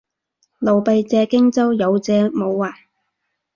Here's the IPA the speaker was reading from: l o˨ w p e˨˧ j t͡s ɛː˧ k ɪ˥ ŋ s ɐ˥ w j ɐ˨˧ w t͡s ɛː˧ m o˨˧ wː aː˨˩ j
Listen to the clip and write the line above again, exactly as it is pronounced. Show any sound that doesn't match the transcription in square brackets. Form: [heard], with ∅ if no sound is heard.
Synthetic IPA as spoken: l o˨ w p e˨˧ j t͡s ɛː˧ k ɪ˥ ŋ [t͡s] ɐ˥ w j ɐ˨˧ w t͡s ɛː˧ m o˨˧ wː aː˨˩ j